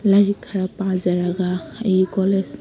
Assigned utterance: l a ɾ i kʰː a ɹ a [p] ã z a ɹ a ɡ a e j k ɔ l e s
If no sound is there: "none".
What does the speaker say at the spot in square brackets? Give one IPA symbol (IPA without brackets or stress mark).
p